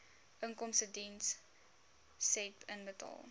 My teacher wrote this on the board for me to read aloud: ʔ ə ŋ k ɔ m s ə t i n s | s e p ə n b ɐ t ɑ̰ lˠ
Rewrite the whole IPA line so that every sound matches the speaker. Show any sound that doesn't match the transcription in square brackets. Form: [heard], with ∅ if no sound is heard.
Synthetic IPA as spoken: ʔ ə ŋ k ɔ m s ə [d] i n s | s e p ə n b [ə] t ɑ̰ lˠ